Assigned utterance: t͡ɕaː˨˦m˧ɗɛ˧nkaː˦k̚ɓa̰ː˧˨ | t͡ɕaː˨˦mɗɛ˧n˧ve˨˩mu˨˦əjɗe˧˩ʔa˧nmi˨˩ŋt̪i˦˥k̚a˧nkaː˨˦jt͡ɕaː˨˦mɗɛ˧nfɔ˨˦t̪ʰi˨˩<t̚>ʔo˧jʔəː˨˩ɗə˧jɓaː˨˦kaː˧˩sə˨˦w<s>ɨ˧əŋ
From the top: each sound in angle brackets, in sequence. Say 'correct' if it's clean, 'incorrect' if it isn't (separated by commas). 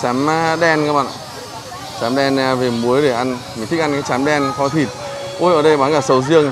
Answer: correct, incorrect